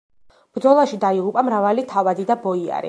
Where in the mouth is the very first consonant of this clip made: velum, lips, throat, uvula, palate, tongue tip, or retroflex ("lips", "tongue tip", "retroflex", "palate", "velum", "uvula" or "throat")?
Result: lips